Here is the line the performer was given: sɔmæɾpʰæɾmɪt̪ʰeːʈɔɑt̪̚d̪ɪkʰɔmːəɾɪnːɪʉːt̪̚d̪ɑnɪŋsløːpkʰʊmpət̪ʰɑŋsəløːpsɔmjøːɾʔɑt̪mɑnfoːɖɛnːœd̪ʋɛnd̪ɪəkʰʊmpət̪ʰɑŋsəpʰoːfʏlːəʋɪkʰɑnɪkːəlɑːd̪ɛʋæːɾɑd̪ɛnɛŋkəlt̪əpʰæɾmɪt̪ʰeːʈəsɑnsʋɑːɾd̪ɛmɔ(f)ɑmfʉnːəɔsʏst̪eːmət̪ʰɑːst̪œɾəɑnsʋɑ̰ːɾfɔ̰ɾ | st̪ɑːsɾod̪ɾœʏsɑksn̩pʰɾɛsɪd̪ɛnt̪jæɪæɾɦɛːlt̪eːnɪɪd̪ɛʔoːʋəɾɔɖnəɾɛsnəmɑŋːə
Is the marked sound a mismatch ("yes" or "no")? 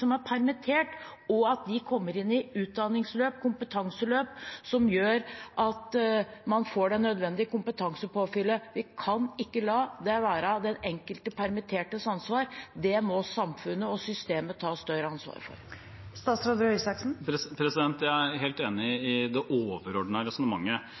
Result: yes